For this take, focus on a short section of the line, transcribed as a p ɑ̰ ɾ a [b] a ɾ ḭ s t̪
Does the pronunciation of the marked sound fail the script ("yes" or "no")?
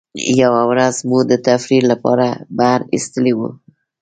no